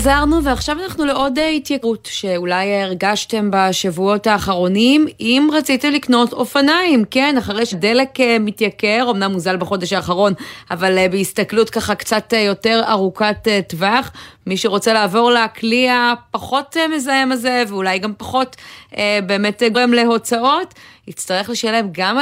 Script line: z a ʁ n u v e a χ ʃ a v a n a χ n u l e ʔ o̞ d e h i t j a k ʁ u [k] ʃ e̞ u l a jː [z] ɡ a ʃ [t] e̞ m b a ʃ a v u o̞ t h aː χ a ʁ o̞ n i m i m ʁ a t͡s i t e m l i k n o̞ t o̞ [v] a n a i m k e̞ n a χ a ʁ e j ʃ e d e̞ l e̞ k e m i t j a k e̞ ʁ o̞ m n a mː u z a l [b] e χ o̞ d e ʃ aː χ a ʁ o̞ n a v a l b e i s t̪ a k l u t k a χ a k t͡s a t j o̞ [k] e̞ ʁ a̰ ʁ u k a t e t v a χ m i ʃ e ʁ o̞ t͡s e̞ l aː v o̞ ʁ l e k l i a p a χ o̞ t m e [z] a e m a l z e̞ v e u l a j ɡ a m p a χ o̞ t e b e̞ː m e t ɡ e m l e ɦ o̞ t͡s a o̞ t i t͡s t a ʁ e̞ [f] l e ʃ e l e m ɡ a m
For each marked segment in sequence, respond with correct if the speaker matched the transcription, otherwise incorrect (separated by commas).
incorrect, incorrect, correct, incorrect, correct, incorrect, correct, incorrect